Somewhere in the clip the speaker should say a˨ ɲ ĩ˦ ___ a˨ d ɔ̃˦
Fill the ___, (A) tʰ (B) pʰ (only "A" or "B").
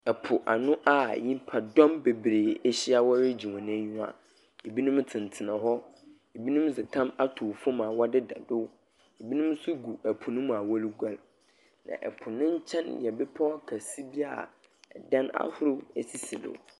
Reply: B